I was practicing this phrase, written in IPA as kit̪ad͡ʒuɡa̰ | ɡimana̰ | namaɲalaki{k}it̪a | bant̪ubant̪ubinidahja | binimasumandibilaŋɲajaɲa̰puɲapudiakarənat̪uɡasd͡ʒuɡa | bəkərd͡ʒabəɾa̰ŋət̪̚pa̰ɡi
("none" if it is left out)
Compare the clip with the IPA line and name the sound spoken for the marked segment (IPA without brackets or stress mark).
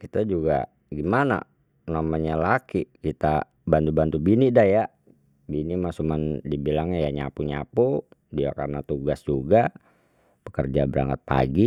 k